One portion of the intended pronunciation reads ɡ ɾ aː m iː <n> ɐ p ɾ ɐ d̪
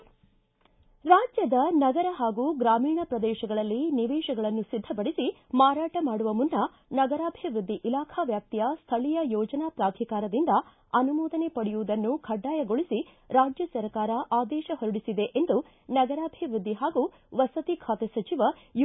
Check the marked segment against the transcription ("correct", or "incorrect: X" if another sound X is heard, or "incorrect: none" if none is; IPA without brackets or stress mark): incorrect: ɳ